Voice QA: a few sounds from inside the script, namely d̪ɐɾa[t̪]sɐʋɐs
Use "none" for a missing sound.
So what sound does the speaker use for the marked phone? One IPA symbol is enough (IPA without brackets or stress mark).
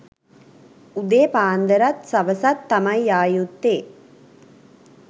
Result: t̪